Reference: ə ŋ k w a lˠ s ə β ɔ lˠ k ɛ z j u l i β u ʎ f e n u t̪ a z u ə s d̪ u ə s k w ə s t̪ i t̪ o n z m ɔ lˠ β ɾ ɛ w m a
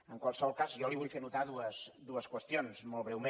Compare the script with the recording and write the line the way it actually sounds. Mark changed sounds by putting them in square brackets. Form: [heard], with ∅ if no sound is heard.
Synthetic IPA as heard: ə ŋ k w a lˠ s ə β ɔ lˠ k [a] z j [ɔ] l i β u ʎ f e n u t̪ a [ð] u ə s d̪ u ə s k w ə s t̪ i [∅] o n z m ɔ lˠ β ɾ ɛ w m [e]